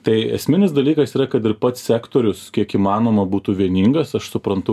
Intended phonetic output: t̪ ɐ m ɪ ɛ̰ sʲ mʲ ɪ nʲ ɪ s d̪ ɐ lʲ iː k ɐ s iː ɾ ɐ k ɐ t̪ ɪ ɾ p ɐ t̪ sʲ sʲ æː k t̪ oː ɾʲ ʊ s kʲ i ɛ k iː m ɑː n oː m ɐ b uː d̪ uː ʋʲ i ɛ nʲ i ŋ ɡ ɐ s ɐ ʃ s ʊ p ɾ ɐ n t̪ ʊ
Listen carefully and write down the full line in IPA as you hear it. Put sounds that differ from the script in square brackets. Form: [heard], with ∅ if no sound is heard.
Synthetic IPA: t̪ ɐ [∅] ɪ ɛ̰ sʲ mʲ ɪ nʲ ɪ s d̪ ɐ lʲ iː k ɐ s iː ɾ ɐ k ɐ t̪ ɪ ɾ p ɐ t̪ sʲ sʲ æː k t̪ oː ɾʲ ʊ s kʲ i ɛ k iː m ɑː n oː m ɐ b uː [t̪] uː ʋʲ i ɛ nʲ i ŋ ɡ ɐ s ɐ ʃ s ʊ p ɾ ɐ n t̪ ʊ